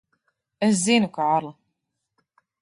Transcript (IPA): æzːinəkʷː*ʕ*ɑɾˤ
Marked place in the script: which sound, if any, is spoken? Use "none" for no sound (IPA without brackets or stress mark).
ʕ